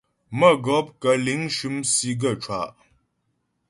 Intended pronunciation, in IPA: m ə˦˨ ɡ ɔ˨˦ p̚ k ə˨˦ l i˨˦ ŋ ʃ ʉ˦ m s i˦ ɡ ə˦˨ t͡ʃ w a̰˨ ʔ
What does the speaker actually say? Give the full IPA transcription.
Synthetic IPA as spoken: m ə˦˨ ɡ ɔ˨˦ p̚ k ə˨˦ l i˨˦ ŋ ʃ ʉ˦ m s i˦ ɡ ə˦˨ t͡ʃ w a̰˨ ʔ